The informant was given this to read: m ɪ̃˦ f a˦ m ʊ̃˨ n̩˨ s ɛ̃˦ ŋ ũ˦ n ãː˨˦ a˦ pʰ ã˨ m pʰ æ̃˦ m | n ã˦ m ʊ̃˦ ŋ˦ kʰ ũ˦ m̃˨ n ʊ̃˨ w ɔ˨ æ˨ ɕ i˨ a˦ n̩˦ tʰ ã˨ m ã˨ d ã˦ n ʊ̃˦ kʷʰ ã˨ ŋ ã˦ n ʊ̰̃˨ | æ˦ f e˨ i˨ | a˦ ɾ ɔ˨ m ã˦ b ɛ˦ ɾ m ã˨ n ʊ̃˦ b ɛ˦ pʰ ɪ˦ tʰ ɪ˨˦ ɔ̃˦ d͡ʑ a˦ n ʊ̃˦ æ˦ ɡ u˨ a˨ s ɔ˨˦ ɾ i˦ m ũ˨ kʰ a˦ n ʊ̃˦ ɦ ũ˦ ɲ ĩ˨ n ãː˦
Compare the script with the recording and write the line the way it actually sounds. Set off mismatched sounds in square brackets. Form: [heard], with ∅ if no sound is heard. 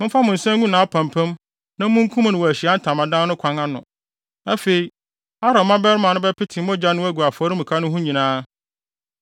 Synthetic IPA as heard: m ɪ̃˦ f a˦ m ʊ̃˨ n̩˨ s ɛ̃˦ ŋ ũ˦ n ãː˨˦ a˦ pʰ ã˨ m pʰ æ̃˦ m | n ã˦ m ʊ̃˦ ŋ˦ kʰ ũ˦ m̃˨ n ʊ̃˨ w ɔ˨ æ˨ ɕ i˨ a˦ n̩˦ tʰ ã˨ m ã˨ d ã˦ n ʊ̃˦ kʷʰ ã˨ ŋ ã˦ n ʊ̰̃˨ | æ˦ f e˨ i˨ | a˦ ɾ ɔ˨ m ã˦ b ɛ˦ ɾ m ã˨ n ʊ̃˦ b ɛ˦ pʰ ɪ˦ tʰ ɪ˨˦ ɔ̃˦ d͡ʑ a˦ n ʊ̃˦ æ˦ ɡ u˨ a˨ [f] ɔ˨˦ ɾ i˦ m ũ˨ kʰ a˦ n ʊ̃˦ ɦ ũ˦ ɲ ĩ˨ n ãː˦